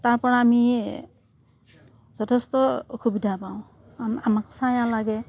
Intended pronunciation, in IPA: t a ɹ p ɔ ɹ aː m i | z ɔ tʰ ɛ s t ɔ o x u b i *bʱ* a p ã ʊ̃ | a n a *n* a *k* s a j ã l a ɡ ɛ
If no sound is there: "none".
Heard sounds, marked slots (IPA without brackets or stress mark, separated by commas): dʱ, m, k